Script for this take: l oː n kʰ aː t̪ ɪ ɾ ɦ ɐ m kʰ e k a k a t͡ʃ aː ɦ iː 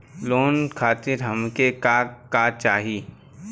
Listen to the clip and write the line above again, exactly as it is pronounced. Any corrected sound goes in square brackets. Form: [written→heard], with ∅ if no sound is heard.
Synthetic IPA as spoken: l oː n kʰ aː t̪ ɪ ɾ ɦ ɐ m [kʰ→k] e k a k a t͡ʃ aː ɦ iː